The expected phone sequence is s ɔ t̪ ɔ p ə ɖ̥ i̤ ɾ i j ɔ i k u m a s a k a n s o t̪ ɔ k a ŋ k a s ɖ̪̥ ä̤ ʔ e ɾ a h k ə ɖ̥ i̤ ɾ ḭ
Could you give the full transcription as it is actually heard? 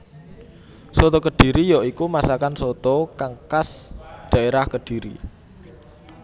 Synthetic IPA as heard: s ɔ t̪ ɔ k ə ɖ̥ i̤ ɾ i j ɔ i k u m a s a k a n s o t̪ ɔ k a ŋ k a s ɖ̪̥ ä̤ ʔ e ɾ a h k ə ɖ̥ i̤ ɾ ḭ